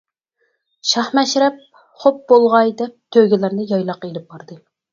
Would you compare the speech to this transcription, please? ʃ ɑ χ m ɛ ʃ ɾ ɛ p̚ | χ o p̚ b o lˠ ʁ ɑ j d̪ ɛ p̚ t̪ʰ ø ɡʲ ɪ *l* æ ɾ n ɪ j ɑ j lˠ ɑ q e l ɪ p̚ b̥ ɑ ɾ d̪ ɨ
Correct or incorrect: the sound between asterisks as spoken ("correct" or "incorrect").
correct